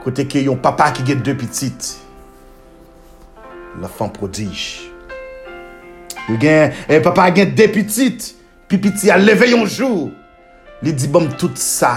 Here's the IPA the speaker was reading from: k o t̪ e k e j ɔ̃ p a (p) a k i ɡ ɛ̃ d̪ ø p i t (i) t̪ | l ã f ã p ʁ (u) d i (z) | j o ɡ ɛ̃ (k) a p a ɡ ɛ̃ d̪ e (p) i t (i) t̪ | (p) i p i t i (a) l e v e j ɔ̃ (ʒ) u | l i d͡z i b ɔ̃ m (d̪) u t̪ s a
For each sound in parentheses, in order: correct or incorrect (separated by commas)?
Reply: correct, correct, incorrect, incorrect, incorrect, correct, correct, correct, correct, correct, incorrect